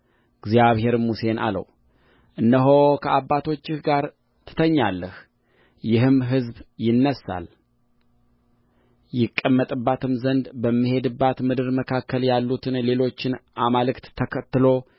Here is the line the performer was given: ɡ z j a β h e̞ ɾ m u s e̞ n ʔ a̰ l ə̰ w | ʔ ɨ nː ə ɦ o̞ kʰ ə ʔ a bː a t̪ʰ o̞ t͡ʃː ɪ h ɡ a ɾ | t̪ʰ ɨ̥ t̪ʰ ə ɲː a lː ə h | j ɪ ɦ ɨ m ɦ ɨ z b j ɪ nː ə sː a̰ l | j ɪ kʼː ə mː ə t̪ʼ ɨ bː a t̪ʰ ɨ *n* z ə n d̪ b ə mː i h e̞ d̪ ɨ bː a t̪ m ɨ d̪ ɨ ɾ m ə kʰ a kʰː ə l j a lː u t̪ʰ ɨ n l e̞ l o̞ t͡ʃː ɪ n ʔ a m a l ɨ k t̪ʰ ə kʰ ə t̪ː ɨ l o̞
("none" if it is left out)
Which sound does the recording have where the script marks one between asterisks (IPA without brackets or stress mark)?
m